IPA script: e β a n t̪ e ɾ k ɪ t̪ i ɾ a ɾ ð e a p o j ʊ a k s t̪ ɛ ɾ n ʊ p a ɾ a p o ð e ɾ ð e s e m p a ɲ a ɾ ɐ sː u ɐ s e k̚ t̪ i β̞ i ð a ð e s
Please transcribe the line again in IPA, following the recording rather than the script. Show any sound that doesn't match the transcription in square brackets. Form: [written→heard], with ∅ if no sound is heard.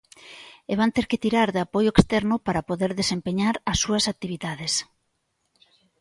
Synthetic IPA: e β a n t̪ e ɾ k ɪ t̪ i ɾ a ɾ ð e a p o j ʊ [a→e] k s t̪ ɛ ɾ n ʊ p a ɾ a p o ð e ɾ ð e s e m p [a→e] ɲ a ɾ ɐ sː u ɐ s [e→a] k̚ t̪ i β̞ i ð a ð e s